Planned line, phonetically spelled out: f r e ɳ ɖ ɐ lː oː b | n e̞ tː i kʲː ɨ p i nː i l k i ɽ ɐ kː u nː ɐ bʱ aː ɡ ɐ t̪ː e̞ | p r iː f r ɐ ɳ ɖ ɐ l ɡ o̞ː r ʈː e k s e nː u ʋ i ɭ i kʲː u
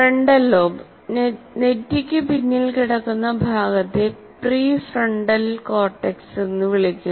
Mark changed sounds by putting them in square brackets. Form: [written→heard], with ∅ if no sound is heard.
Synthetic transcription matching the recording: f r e ɳ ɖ ɐ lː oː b | n e̞ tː i kʲː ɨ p i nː i l k i ɽ ɐ kː u nː ɐ bʱ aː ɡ ɐ t̪ː e̞ | p r iː f r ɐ ɳ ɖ ɐ l [ɡ→k] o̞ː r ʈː e k s e nː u ʋ i ɭ i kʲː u